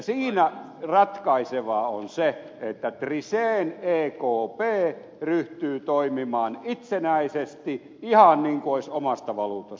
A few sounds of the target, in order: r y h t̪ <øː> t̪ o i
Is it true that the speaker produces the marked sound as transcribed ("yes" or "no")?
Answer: no